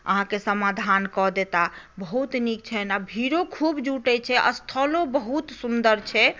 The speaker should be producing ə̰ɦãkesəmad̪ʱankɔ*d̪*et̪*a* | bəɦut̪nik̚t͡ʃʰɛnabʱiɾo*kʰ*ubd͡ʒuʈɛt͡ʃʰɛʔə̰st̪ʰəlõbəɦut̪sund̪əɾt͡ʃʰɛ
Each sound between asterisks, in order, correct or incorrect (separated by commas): correct, correct, correct